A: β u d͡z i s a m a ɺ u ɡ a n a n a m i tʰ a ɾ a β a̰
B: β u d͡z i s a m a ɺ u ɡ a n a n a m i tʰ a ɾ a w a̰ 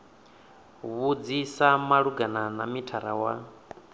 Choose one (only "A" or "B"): B